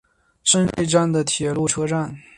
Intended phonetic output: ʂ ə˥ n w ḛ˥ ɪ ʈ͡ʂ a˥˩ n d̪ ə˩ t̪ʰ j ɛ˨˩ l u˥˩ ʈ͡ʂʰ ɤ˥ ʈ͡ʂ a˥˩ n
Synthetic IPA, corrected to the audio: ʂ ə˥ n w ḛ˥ ɪ ʈ͡ʂ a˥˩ n d̪ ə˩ t̪ʰ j ɛ˨˩ l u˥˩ ʈ͡ʂʰ ɤ˥ ʈ͡ʂ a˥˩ n